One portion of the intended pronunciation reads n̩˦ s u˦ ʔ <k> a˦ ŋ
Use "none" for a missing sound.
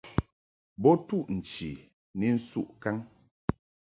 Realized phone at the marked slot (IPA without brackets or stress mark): k